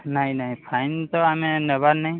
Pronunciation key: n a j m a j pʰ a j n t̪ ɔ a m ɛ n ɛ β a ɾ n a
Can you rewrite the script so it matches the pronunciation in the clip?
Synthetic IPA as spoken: n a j n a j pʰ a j n t̪ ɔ a m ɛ n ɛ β a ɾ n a